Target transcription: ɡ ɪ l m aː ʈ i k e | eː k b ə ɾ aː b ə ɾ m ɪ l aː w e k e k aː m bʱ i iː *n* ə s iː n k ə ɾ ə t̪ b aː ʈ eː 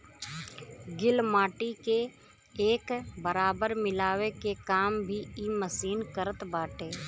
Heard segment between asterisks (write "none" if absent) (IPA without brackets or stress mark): m